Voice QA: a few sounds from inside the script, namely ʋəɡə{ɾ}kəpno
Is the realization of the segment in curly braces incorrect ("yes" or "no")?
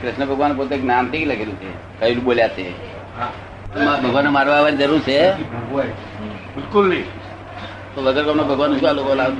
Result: no